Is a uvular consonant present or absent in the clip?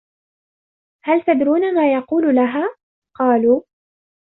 present